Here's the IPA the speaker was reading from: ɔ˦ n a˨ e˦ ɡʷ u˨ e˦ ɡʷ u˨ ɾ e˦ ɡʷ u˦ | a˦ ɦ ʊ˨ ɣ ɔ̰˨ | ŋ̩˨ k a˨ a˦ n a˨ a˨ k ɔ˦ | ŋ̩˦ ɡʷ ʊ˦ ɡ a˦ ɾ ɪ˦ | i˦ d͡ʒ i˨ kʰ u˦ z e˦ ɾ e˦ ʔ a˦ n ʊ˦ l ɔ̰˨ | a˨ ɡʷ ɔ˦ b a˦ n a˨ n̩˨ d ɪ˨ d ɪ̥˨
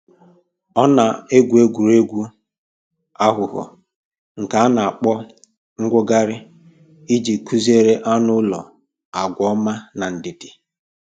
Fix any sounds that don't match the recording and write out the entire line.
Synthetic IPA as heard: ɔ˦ n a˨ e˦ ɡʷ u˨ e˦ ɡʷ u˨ ɾ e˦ ɡʷ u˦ | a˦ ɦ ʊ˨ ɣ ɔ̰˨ | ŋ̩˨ k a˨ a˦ n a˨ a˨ k͡p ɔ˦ | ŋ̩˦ ɡʷ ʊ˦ ɡ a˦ ɾ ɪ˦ | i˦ d͡ʒ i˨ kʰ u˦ z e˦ ɾ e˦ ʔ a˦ n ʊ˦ l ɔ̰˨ | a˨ ɡʷ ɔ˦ m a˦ n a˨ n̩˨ d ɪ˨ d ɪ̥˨

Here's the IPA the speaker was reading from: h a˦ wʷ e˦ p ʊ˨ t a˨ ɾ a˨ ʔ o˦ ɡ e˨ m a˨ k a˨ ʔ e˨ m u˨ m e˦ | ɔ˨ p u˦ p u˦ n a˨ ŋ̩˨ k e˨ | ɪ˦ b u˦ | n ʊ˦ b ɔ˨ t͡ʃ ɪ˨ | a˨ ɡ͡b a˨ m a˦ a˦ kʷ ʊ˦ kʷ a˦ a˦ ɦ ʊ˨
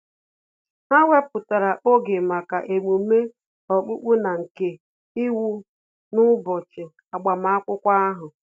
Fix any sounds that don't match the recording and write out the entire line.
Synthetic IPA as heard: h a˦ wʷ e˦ p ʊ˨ t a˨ ɾ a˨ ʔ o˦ ɡ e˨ m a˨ k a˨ ʔ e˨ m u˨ m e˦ | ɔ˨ k͡p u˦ k͡p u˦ n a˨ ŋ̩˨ k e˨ | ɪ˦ w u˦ | n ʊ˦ b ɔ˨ t͡ʃ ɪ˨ | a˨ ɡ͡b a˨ m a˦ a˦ kʷ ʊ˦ kʷ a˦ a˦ ɦ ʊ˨

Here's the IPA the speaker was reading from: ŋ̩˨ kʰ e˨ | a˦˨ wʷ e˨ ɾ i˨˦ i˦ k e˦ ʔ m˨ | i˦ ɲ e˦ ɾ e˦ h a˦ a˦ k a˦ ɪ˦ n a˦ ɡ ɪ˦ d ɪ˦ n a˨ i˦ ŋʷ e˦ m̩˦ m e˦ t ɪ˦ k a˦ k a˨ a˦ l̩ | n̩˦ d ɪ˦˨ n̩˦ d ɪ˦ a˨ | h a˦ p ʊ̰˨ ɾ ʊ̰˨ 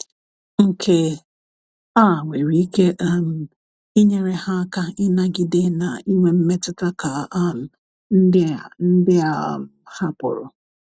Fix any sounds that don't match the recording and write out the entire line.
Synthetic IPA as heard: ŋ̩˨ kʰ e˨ | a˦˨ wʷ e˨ ɾ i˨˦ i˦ k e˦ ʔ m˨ | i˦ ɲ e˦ ɾ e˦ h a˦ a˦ k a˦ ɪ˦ n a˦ ɡ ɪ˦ d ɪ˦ n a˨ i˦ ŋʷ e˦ m̩˦ m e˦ t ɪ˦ t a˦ k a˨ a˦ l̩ | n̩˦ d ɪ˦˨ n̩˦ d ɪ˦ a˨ | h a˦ p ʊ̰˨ ɾ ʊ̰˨

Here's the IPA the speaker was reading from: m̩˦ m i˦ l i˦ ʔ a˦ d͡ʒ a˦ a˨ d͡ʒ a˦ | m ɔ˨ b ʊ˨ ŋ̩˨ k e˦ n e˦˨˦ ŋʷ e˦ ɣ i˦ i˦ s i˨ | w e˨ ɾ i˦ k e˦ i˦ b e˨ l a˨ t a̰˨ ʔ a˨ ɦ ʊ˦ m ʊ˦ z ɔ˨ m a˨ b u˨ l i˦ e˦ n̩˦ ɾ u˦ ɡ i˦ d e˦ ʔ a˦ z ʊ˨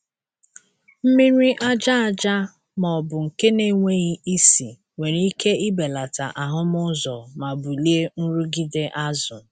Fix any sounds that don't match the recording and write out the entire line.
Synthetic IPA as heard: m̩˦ m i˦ ɾ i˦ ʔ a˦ d͡ʒ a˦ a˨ d͡ʒ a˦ | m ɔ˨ b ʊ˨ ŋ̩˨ k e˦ n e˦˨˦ ŋʷ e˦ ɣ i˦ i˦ s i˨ | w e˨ ɾ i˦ k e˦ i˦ b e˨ l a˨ t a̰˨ ʔ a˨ ɦ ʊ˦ m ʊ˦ z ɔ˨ m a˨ b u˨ l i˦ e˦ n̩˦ ɾ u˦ ɡ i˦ d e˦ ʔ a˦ z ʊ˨

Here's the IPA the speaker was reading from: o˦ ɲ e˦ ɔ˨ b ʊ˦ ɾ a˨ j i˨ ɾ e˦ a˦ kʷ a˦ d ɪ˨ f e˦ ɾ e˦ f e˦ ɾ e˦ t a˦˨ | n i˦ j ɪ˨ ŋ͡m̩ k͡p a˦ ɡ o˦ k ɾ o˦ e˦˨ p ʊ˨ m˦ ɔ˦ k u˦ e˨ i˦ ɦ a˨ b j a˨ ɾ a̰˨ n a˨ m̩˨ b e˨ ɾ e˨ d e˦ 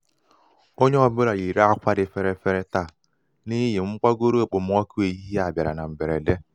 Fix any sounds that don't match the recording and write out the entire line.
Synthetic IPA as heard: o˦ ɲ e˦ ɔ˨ b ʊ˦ ɾ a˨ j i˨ ɾ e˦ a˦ kʷ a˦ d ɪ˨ f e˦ ɾ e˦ f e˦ ɾ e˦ t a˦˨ | n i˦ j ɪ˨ ŋ͡m̩ k͡p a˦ ɡ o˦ ɾ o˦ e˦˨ k͡p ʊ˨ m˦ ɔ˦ k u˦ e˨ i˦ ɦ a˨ b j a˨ ɾ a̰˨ n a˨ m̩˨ b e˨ ɾ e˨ d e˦

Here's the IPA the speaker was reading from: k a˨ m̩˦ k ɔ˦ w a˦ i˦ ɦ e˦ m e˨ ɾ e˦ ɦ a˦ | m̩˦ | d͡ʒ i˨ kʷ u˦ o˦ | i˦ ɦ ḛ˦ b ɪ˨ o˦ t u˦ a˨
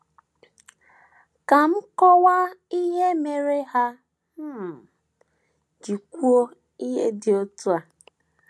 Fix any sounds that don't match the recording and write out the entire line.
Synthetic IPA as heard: k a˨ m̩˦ k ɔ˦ w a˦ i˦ ɦ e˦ m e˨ ɾ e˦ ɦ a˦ | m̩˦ | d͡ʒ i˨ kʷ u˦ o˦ | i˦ ɦ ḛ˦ d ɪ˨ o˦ t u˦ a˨

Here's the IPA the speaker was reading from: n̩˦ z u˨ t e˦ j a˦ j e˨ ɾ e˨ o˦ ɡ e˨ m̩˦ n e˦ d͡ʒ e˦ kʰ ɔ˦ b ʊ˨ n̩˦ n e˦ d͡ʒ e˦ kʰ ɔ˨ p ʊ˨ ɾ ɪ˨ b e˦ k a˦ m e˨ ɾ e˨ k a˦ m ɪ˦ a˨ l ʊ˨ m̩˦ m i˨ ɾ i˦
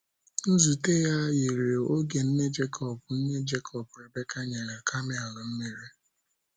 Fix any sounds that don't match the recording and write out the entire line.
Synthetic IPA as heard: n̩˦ z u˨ t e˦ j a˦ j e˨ ɾ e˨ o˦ ɡ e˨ n̩˦ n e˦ d͡ʒ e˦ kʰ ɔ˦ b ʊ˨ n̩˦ n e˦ d͡ʒ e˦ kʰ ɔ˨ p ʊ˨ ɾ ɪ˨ b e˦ k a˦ ɲ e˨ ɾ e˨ k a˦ m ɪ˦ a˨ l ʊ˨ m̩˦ m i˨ ɾ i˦

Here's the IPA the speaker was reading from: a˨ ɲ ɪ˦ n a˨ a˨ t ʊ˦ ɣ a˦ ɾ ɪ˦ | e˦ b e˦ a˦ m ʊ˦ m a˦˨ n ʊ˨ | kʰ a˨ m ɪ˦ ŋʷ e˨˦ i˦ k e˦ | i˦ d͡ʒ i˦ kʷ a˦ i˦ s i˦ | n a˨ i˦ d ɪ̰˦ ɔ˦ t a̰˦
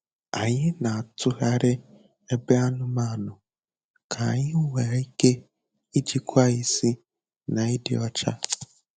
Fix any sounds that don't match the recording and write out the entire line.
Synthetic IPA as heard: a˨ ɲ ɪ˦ n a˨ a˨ t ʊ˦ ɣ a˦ ɾ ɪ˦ | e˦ b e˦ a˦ n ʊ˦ m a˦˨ n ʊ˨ | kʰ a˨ ɲ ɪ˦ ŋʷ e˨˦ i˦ k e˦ | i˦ d͡ʒ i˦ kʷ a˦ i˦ s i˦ | n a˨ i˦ d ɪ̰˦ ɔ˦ t͡ʃ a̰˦

